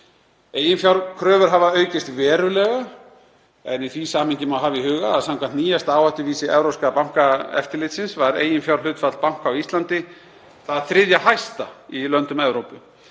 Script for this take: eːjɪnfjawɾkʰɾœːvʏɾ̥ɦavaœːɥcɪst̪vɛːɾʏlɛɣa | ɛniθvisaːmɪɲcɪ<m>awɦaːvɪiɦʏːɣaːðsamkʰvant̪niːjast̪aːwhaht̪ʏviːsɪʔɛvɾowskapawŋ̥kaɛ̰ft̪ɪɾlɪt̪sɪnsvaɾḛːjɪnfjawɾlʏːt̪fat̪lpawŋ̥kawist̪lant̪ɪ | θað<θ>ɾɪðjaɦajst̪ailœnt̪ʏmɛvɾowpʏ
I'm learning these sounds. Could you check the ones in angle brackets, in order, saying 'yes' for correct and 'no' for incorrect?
yes, yes

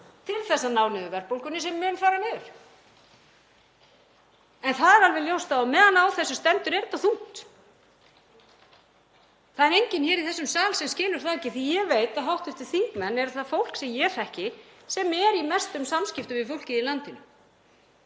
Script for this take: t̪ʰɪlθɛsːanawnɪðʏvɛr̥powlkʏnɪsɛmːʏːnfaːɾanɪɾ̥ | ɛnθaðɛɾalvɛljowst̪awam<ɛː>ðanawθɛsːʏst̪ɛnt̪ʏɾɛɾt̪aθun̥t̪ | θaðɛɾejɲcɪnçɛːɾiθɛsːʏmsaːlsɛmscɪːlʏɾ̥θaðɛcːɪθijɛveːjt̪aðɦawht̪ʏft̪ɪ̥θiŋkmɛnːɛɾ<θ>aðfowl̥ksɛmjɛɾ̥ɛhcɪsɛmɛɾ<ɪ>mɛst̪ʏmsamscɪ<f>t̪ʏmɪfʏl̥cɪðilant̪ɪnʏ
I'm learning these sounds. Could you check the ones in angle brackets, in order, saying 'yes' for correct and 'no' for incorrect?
yes, yes, no, yes

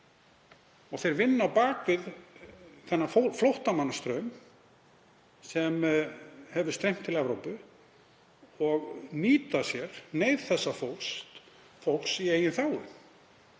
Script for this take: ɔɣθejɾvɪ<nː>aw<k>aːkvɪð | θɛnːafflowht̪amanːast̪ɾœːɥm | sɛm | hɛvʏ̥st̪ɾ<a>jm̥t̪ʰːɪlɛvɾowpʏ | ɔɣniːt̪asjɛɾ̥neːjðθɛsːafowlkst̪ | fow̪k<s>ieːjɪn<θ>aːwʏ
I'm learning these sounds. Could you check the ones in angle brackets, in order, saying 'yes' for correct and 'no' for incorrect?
yes, no, no, yes, yes

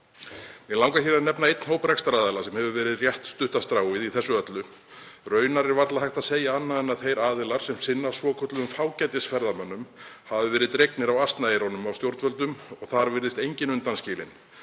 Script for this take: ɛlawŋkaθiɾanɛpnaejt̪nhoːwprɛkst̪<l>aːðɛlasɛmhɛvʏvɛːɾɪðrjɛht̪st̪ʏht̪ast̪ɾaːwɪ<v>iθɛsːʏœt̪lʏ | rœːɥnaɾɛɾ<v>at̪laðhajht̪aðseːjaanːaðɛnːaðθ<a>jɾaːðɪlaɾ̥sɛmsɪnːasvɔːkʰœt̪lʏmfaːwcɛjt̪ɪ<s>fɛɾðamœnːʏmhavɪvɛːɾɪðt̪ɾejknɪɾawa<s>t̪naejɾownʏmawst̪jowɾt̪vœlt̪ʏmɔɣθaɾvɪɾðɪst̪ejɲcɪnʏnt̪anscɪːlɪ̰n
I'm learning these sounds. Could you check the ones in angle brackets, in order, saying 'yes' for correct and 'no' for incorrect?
no, no, yes, no, yes, yes

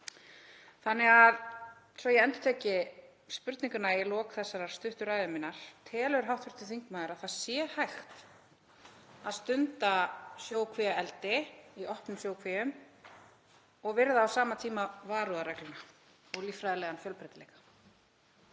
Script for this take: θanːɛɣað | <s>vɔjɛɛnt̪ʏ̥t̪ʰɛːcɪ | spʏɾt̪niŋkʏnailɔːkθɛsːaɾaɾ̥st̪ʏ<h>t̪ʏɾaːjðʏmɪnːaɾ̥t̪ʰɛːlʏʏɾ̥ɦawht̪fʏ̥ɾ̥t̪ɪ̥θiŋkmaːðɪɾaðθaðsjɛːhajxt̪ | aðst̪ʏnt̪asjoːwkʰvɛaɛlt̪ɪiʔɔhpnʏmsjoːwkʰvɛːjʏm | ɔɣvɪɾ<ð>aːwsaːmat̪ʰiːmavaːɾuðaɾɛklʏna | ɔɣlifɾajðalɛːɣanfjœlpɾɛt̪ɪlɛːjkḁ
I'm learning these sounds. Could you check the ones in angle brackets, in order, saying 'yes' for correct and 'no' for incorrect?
yes, yes, yes

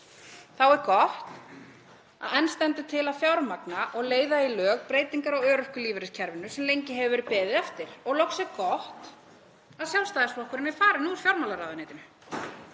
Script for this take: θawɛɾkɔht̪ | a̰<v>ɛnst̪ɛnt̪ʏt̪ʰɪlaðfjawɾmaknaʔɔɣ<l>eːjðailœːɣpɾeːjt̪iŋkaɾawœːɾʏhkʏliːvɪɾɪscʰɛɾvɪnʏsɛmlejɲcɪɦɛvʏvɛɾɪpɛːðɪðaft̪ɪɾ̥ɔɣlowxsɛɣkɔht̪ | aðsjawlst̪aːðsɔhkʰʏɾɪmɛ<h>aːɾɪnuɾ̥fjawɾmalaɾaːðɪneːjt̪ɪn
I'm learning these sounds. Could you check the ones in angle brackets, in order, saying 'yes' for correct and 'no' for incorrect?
no, yes, no

